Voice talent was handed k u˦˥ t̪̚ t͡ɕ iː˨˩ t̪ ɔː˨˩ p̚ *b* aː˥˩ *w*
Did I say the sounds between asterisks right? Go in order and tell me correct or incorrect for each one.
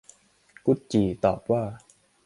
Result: incorrect, incorrect

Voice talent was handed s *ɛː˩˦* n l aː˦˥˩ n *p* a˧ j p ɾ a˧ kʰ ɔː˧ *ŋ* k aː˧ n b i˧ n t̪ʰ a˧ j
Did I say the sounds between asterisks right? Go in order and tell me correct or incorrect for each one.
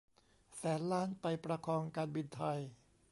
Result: correct, correct, correct

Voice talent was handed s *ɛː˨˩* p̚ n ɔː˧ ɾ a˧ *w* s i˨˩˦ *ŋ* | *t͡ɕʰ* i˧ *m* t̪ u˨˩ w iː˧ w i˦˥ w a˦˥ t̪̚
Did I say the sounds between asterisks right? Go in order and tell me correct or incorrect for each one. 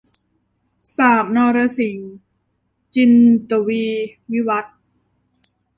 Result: incorrect, incorrect, correct, incorrect, incorrect

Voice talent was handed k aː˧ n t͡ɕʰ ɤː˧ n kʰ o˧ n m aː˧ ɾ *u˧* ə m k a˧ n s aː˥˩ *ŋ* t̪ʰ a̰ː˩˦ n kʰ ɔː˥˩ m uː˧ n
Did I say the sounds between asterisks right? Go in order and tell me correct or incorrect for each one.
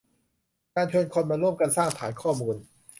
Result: incorrect, correct

